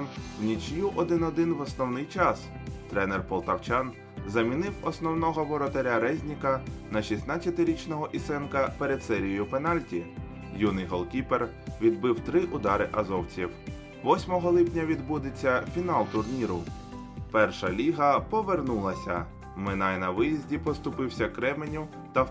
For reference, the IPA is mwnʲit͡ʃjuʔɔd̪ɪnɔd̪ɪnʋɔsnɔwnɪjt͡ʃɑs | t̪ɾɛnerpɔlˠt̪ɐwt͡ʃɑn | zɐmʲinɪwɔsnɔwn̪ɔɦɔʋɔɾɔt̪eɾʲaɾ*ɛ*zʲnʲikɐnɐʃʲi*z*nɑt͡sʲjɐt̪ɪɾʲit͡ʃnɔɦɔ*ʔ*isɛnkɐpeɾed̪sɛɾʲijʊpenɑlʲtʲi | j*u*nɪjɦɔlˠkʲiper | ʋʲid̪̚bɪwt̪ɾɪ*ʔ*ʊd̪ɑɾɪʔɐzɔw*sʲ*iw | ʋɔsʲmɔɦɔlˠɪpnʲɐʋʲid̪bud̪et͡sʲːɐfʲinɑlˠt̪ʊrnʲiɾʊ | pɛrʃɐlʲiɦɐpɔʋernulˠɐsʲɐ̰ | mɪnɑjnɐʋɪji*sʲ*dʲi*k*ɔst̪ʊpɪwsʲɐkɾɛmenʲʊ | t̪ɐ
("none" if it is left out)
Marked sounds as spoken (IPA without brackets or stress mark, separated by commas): ɛ, s, ʔ, u, ʔ, t͡sʲ, zʲ, p